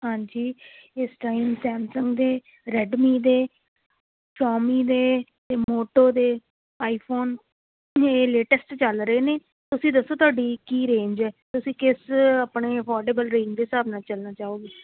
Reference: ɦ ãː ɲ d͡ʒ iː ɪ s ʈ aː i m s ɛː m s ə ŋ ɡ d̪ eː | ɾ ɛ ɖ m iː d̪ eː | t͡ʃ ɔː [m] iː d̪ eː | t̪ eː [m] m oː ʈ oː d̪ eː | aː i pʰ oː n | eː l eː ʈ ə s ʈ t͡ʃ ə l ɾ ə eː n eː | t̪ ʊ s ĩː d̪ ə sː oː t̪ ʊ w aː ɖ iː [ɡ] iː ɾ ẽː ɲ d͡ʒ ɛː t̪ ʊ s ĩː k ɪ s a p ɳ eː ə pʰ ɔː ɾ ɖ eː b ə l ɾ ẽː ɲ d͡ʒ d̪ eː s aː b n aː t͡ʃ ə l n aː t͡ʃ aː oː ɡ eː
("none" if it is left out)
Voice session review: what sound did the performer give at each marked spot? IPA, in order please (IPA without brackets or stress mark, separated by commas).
m, m, k